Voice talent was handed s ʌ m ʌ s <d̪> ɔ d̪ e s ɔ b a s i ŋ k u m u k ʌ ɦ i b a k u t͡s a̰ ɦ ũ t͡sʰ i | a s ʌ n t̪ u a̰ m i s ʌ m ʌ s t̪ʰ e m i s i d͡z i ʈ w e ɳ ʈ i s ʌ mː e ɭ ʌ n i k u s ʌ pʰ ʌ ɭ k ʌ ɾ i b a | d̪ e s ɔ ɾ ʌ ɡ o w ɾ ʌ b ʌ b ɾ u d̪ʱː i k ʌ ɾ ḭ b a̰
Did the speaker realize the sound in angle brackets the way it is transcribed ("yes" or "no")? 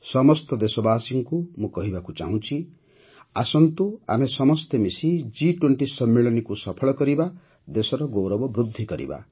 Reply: no